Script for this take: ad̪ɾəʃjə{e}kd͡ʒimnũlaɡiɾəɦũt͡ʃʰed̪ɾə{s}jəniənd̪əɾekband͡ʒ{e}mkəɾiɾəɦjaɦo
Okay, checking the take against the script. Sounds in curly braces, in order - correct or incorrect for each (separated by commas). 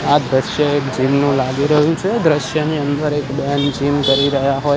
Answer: correct, incorrect, incorrect